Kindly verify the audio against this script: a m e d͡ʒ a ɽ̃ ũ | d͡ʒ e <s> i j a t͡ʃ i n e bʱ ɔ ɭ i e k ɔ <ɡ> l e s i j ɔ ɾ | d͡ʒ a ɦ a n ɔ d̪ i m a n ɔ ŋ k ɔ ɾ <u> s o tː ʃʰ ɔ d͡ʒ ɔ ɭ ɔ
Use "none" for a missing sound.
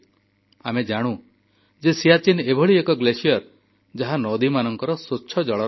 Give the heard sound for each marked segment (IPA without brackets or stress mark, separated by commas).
s, ɡ, ɔ